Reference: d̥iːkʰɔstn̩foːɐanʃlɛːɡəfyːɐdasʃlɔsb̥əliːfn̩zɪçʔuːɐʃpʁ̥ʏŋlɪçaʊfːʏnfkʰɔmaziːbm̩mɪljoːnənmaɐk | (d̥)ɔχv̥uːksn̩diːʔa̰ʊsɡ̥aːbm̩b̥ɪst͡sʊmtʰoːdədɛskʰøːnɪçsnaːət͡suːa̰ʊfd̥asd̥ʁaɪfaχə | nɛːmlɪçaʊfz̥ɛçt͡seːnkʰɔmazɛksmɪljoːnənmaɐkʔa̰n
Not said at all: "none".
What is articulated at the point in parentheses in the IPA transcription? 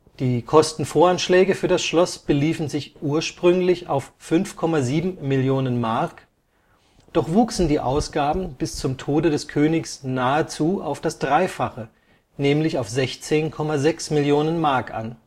d̥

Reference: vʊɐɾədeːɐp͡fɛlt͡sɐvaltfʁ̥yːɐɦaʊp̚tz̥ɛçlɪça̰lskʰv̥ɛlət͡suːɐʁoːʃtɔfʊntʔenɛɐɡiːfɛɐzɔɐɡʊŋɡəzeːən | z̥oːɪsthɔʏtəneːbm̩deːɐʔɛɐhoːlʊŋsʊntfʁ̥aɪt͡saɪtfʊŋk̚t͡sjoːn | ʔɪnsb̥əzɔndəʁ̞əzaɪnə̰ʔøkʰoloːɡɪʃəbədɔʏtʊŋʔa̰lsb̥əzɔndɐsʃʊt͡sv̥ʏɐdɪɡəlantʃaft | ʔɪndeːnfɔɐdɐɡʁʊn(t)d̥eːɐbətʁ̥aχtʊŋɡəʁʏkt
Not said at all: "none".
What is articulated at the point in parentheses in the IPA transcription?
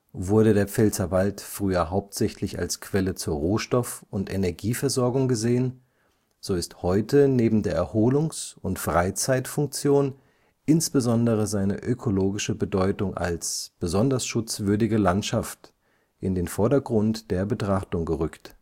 t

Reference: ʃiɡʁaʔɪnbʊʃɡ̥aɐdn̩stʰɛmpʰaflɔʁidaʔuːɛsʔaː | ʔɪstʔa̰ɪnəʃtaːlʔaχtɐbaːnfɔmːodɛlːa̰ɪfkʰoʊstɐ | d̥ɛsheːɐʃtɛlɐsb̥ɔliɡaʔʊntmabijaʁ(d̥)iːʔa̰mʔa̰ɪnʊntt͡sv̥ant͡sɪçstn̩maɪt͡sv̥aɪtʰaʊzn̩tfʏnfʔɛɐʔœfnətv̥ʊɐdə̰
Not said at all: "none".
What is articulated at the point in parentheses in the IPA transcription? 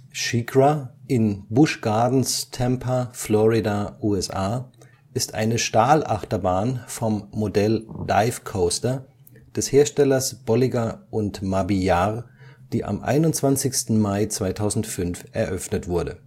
d̥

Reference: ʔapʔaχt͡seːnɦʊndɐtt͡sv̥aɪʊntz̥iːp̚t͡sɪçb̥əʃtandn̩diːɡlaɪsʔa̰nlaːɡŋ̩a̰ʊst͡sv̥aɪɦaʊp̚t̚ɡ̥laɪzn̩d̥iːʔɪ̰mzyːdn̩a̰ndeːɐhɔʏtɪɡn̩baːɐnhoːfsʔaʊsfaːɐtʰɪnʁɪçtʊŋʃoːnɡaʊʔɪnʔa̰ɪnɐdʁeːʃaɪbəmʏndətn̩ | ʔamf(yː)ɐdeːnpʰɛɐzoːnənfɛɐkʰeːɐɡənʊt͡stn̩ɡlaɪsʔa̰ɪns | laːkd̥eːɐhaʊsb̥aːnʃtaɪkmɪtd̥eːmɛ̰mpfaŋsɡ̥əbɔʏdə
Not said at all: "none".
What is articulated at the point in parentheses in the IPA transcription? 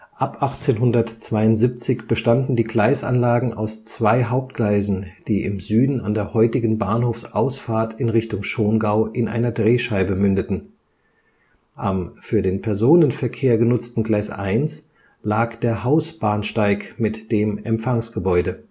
yː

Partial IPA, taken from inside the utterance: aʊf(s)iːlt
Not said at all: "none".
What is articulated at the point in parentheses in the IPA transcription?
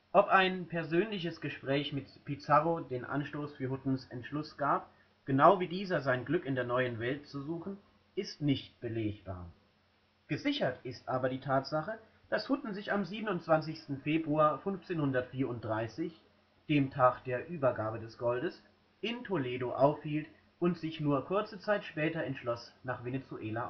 h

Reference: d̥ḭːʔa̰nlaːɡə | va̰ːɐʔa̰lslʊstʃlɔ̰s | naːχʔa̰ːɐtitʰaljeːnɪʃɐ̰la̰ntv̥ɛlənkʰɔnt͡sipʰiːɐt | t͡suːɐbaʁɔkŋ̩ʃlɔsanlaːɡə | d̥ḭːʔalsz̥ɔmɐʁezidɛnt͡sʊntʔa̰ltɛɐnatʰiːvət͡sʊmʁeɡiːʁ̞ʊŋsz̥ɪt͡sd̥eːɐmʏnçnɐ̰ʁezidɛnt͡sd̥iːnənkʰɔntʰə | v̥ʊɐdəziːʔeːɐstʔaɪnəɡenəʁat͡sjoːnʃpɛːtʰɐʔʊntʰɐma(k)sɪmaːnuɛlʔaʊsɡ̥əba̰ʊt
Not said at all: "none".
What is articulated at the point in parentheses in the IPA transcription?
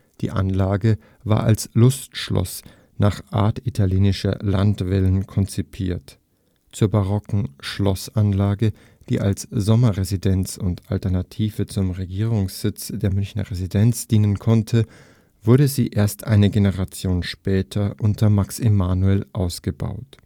k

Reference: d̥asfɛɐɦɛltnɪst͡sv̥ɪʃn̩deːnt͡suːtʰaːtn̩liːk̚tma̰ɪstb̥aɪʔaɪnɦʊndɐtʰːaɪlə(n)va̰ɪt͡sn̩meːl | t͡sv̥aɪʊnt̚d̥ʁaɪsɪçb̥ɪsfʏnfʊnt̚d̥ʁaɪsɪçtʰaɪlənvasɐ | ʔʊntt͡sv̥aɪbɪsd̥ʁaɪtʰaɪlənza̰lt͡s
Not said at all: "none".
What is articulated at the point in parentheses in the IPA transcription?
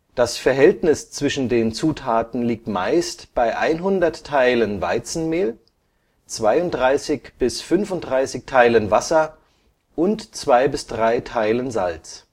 n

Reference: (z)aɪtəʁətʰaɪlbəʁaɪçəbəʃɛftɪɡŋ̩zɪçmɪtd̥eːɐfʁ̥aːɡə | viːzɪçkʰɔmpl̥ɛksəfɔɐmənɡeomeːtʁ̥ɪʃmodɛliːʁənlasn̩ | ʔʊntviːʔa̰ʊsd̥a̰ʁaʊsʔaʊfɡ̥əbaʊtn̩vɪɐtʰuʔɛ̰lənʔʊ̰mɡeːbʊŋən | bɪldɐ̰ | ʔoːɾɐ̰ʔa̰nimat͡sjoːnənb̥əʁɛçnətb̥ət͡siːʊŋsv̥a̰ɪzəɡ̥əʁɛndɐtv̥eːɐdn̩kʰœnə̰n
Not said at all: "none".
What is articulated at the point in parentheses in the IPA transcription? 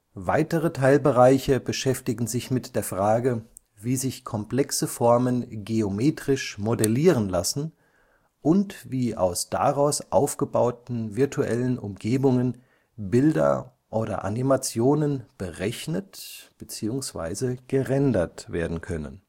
v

